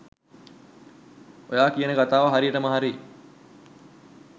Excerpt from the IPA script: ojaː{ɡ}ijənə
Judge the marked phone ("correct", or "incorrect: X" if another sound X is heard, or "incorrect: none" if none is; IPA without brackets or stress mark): incorrect: k